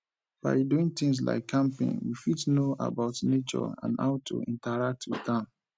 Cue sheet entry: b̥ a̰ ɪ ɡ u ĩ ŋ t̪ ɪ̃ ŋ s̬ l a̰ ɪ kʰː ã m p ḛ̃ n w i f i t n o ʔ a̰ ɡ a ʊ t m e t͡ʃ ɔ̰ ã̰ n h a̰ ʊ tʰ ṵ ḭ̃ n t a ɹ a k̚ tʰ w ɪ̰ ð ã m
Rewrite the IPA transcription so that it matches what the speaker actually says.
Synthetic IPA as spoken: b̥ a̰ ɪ d u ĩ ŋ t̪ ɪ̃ ŋ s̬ l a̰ ɪ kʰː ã m p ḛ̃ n w i f i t n o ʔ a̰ b a ʊ t n e t͡ʃ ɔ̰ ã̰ n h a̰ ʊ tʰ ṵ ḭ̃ n t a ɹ a k̚ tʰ w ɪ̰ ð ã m